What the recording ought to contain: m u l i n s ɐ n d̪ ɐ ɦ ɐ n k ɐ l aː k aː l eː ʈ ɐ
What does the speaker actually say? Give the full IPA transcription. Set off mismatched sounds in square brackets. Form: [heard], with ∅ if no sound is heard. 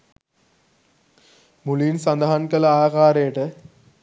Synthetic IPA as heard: m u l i n s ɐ n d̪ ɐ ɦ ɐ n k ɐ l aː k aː [ɾ] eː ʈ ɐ